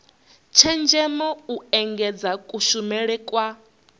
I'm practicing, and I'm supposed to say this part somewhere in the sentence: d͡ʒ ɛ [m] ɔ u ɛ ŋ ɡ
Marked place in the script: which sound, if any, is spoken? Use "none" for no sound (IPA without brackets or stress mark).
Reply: m